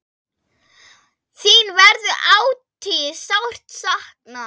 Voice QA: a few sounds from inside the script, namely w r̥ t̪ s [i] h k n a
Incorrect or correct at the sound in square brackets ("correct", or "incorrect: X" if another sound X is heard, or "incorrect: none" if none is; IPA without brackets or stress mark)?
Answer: incorrect: a